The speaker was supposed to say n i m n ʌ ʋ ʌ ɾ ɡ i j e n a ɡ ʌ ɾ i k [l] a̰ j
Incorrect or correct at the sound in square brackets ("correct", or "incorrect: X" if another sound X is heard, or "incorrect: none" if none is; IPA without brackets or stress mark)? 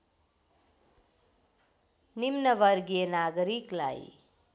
correct